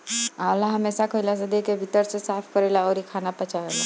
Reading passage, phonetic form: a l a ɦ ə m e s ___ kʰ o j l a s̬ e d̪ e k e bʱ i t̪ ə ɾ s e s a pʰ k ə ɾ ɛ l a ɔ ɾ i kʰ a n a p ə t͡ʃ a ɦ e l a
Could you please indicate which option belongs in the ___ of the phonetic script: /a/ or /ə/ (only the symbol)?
a